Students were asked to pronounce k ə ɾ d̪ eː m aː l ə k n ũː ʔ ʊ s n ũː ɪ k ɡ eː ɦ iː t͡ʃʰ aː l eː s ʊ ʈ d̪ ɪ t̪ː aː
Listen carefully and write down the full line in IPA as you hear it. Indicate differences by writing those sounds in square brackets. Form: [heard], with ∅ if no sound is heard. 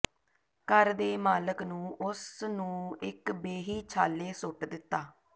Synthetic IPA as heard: k ə ɾ d̪ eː m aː l ə k n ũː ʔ ʊ s n ũː ɪ k [b] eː ɦ iː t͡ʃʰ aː l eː s ʊ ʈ d̪ ɪ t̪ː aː